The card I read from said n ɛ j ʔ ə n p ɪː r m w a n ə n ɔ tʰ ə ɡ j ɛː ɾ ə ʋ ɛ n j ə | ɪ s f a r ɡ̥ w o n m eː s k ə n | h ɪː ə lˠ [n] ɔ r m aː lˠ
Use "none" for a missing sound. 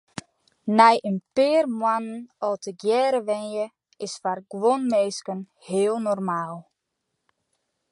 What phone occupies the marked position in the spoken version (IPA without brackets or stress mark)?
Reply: n